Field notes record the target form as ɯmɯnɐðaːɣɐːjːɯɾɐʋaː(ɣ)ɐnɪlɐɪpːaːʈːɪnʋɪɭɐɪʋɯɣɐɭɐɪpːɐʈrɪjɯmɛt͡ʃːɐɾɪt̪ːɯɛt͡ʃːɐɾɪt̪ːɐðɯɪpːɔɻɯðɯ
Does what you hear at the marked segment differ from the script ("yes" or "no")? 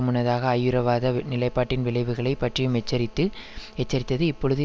yes